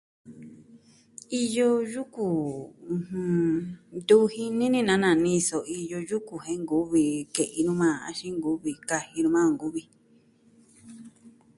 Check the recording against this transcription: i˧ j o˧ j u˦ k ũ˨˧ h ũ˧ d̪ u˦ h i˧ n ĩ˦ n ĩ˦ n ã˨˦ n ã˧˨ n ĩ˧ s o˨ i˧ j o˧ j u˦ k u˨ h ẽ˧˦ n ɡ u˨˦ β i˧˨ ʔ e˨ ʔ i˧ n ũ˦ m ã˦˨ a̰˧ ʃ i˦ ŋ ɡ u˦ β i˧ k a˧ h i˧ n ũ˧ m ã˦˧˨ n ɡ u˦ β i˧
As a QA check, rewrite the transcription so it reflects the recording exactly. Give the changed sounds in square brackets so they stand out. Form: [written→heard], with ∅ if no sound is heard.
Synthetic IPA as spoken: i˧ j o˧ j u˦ k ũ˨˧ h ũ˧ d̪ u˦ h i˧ n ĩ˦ n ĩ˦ n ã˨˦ n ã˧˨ n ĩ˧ s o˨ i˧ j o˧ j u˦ k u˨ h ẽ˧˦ [n→ŋ] ɡ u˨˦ β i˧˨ [ʔ→k] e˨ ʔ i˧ n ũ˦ m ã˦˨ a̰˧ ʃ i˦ ŋ ɡ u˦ β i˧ k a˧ h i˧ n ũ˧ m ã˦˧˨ [n→ŋ] ɡ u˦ β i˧